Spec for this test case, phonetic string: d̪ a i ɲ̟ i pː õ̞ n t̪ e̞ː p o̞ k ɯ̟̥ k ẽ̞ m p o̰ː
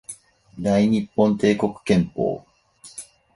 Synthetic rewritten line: d̪ a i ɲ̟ i pː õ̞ n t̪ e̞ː k o̞ k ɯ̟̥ k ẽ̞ m p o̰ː